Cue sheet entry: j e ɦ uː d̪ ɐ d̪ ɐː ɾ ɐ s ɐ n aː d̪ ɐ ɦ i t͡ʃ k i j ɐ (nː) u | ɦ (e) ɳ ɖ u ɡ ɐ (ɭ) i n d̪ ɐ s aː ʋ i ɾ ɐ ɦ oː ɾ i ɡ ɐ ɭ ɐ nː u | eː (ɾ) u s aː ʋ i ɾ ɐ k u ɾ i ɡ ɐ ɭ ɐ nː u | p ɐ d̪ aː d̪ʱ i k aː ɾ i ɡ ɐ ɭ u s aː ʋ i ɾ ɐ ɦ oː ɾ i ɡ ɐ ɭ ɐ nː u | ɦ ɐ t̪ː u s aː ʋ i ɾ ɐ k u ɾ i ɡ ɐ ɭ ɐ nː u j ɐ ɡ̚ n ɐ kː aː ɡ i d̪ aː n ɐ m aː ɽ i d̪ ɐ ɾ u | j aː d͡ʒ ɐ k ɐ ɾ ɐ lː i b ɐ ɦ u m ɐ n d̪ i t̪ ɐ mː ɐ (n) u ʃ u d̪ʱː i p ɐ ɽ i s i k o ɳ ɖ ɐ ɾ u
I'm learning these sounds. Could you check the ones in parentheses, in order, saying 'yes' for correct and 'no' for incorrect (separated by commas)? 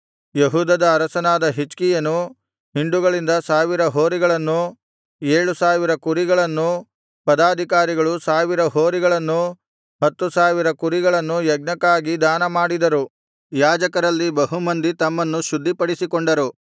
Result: no, no, yes, no, no